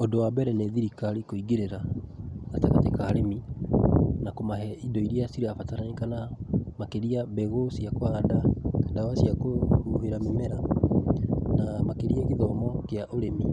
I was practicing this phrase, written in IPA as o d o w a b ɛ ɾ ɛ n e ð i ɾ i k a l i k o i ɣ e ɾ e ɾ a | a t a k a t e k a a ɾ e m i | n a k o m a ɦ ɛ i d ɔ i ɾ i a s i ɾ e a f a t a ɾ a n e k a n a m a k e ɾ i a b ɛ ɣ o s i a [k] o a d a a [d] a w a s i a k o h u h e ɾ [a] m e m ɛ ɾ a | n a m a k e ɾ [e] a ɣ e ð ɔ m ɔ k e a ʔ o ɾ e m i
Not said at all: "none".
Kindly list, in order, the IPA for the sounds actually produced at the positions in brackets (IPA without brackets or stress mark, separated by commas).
k, d, a, i